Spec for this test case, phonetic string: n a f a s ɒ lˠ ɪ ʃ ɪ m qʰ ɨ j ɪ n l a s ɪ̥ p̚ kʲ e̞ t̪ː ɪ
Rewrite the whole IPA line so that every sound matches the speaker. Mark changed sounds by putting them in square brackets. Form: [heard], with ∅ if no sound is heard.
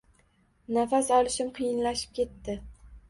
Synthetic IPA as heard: n a f a s ɒ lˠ ɪ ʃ ɪ m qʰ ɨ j ɪ n l a [ʃ] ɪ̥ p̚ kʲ e̞ t̪ː ɪ